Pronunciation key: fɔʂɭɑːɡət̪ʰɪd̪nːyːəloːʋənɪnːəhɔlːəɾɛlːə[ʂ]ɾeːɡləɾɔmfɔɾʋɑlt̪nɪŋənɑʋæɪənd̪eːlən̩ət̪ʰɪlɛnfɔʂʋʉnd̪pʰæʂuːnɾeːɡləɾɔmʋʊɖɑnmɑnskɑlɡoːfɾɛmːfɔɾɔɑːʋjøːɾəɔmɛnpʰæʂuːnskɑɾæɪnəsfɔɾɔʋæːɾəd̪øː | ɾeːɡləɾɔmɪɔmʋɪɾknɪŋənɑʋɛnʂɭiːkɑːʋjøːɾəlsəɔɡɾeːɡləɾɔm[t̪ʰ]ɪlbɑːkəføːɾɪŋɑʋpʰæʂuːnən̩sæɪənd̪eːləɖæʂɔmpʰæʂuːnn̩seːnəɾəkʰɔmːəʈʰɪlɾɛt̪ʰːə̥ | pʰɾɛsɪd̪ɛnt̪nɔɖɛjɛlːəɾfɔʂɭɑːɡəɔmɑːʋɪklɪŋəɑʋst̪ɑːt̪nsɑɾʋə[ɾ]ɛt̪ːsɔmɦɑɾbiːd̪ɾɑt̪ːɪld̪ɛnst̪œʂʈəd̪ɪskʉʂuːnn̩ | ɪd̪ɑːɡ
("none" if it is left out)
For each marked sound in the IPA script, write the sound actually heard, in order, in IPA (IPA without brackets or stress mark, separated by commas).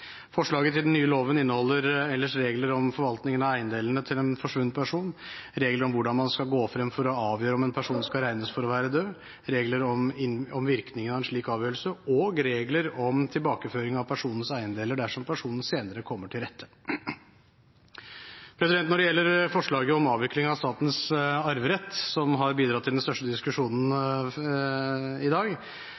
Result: ʂ, t̪ʰ, ɾ